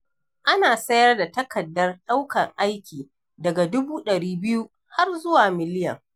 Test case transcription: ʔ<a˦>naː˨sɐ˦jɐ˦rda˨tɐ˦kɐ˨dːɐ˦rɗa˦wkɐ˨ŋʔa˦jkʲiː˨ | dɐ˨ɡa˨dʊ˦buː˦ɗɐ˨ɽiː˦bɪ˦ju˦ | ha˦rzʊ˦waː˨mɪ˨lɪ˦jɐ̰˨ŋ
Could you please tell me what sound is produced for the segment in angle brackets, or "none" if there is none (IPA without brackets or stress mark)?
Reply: a˦